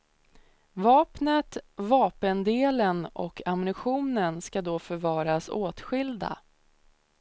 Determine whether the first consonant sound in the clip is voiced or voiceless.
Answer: voiced